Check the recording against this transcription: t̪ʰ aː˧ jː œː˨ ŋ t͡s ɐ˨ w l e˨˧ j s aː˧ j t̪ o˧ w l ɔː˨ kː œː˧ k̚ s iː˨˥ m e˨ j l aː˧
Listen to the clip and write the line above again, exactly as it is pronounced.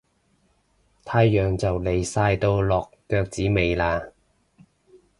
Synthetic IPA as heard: t̪ʰ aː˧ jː œː˨ ŋ t͡s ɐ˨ w l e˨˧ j s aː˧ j t̪ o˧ w l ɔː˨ kː œː˧ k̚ t͡s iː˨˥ m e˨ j l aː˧